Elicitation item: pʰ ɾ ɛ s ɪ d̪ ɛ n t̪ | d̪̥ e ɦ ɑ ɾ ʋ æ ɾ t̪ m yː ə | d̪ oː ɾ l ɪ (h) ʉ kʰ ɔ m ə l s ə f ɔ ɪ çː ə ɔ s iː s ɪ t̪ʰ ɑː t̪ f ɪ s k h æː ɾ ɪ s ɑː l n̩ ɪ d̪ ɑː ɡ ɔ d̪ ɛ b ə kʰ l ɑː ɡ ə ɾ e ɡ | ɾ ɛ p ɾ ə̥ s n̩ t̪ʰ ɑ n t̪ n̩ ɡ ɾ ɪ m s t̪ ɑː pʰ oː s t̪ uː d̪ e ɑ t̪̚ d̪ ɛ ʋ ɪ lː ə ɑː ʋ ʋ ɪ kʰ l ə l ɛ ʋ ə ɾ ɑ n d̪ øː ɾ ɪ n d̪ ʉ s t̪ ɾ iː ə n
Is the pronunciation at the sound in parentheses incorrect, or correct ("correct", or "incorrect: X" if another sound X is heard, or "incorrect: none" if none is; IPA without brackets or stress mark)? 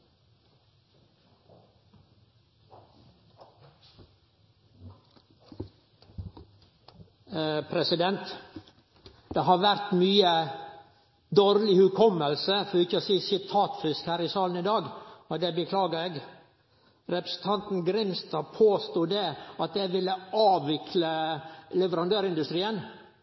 correct